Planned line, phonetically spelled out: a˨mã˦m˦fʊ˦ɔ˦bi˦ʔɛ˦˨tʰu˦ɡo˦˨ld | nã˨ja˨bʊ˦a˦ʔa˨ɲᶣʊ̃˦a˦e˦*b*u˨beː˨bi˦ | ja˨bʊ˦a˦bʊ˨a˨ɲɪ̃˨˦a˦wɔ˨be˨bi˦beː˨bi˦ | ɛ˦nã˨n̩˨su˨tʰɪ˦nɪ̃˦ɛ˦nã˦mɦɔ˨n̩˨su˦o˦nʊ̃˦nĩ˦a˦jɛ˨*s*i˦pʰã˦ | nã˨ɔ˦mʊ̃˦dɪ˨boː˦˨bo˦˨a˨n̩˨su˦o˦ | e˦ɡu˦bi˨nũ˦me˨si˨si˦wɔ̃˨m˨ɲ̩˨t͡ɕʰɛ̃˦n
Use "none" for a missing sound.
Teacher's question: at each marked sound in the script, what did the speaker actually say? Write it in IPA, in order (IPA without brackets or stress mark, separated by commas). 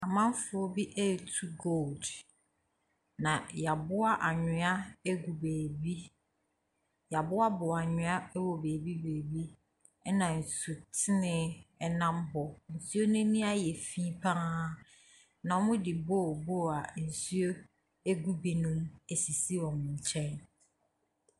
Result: ɡ, f